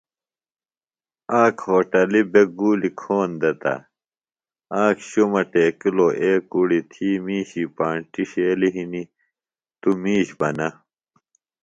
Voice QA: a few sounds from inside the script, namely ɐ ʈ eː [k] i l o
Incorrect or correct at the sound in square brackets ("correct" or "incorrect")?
correct